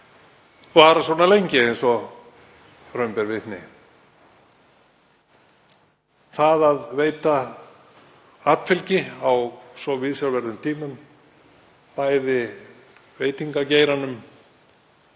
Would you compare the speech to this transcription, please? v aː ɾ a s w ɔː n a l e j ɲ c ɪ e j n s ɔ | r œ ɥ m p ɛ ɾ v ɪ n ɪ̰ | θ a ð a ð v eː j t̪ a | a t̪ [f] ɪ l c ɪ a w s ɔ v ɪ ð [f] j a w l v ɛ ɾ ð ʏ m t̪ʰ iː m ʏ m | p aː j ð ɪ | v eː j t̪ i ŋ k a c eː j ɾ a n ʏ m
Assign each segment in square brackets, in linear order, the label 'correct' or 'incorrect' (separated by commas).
correct, incorrect